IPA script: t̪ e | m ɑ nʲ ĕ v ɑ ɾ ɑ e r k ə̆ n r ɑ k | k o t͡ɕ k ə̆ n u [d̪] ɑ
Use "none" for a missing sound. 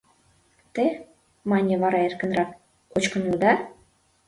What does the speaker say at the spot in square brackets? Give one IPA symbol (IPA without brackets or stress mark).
d̪